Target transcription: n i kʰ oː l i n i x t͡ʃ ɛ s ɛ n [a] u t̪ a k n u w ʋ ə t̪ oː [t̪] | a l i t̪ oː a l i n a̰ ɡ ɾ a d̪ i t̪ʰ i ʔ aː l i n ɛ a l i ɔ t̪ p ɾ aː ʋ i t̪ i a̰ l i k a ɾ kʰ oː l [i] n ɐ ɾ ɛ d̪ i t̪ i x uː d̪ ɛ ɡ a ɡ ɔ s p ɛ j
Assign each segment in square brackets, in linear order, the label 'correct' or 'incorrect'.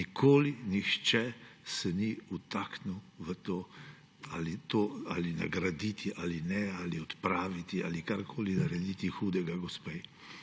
incorrect, incorrect, correct

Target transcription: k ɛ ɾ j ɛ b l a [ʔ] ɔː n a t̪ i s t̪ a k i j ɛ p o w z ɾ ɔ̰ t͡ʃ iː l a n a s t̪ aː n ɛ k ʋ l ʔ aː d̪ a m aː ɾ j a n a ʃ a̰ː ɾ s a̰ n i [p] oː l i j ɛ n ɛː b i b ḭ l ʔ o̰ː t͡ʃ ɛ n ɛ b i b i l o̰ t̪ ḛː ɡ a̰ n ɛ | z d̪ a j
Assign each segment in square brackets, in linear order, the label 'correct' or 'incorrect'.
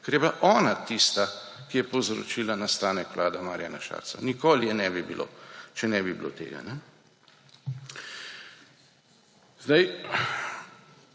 correct, incorrect

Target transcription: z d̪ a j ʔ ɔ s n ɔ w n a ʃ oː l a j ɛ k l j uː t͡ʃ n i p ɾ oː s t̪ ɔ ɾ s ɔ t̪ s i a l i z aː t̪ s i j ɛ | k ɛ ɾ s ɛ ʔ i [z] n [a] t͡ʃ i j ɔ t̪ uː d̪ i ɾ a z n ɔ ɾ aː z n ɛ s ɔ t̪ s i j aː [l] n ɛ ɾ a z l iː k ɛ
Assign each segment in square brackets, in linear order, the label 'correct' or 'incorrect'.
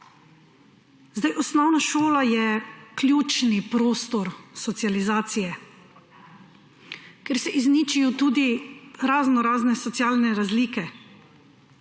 correct, incorrect, correct

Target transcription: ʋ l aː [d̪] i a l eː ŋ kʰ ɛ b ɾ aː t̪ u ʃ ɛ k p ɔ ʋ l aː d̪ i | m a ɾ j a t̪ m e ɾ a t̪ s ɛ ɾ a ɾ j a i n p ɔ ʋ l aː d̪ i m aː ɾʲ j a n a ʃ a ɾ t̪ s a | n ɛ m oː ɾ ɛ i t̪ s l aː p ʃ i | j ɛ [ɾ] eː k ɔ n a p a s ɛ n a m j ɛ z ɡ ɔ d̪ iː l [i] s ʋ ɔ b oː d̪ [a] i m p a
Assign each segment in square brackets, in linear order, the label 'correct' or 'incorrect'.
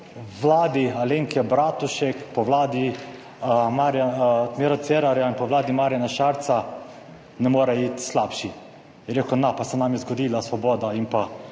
correct, correct, incorrect, correct

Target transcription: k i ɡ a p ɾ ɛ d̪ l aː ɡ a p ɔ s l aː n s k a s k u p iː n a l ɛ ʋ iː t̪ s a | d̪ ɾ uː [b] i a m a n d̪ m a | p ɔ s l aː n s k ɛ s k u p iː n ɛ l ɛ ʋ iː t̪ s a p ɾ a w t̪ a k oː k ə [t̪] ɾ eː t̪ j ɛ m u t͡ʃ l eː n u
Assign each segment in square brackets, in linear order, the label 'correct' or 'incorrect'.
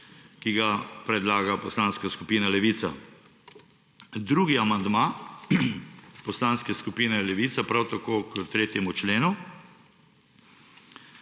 incorrect, correct

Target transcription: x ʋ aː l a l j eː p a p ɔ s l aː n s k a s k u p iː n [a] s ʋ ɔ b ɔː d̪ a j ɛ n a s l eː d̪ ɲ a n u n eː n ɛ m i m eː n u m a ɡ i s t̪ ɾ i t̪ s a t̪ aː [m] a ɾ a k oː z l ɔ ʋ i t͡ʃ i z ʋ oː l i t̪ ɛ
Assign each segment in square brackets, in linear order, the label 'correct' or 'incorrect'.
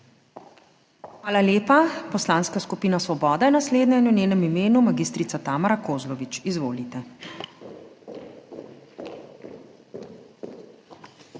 correct, correct

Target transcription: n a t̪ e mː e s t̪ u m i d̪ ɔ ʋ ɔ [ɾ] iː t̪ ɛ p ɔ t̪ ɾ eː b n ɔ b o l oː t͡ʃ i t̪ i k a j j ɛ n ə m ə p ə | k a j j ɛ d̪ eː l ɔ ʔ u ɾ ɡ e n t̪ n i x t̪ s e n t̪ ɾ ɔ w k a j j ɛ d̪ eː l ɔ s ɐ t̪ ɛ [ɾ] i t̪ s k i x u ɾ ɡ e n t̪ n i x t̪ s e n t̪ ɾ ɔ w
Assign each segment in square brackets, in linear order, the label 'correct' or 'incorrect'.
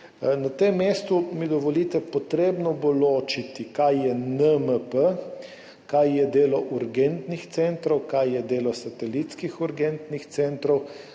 incorrect, incorrect

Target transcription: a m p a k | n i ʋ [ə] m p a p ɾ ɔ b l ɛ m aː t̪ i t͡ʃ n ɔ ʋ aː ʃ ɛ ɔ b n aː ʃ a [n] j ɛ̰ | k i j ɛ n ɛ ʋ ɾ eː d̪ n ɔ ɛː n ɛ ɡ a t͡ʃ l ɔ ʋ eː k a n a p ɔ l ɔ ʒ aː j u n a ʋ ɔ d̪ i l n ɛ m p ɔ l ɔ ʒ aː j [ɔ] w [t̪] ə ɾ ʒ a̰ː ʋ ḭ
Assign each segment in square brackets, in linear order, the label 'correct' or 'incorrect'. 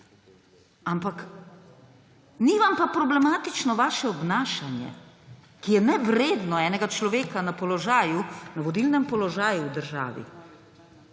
incorrect, correct, incorrect, incorrect

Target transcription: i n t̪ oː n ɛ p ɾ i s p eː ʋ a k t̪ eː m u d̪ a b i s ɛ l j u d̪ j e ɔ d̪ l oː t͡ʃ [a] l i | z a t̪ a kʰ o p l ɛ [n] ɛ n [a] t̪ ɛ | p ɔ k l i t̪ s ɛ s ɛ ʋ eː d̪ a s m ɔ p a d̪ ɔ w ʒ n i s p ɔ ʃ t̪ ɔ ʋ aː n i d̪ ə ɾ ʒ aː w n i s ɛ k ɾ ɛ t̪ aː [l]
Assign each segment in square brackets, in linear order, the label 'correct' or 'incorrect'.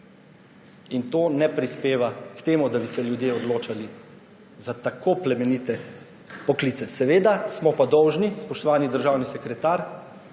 correct, incorrect, incorrect, incorrect

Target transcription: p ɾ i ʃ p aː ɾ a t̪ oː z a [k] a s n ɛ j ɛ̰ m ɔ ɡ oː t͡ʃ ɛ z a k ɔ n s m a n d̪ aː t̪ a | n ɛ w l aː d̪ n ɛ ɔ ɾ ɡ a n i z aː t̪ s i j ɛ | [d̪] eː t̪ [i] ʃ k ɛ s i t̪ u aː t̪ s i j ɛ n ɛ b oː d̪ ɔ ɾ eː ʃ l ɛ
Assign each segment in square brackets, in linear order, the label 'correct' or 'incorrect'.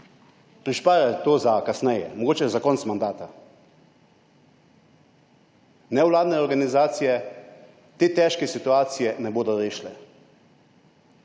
correct, incorrect, incorrect

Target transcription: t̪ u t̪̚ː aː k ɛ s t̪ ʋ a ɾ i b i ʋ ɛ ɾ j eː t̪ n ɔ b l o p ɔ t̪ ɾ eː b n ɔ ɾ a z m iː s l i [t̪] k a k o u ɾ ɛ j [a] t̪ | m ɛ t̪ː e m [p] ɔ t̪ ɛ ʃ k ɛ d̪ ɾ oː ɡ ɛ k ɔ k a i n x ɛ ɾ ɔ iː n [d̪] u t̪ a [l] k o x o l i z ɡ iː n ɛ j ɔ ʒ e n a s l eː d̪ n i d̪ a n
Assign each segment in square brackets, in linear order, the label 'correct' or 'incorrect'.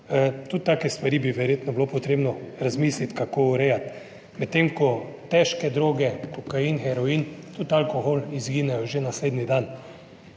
correct, correct, incorrect, incorrect, correct

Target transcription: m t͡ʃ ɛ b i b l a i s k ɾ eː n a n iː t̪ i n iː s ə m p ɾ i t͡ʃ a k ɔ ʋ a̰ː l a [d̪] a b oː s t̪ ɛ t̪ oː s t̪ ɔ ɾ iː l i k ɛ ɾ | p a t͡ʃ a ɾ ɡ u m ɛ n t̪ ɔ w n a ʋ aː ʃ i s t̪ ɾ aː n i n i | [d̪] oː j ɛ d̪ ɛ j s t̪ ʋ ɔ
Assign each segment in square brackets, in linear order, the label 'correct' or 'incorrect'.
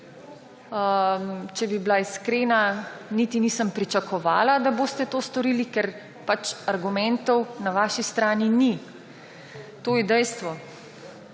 correct, incorrect

